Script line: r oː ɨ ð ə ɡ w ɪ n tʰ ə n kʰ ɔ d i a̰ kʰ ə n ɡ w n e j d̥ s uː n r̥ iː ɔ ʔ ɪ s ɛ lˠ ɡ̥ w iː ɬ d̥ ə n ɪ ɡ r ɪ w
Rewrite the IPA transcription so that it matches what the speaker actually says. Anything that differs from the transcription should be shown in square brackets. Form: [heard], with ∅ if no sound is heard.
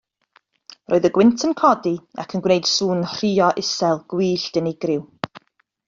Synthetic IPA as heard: r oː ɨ ð ə ɡ w ɪ n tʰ ə n kʰ ɔ d i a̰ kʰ ə n ɡ w n e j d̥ s uː n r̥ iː ɔ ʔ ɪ s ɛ lˠ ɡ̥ w iː ɬ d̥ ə n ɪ ɡ r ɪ w